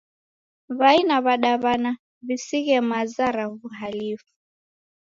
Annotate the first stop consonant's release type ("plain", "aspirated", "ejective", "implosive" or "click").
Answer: implosive